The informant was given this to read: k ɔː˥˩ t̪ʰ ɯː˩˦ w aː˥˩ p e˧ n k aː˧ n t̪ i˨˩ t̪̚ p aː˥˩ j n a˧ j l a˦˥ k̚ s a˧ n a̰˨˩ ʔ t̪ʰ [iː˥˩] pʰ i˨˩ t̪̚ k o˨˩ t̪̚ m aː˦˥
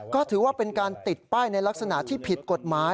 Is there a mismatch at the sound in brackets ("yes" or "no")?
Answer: no